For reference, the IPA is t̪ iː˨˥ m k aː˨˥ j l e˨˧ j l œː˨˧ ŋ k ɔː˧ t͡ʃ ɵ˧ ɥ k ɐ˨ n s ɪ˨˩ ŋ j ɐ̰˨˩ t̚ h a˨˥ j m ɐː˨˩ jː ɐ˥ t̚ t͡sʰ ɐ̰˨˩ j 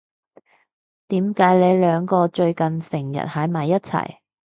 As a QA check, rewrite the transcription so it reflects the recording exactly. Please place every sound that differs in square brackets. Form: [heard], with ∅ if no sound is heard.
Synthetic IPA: t̪ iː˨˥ m k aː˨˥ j l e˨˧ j l œː˨˧ ŋ k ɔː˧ t͡ʃ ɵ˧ ɥ k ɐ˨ n s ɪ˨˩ ŋ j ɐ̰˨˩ t̚ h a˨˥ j m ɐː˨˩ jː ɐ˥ t̚ t͡sʰ ɐ̰˨˩ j